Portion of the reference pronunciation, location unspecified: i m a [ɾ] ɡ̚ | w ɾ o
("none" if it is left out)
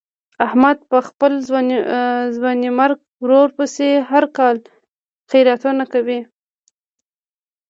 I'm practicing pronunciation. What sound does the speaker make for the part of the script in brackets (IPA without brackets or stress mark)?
ɾ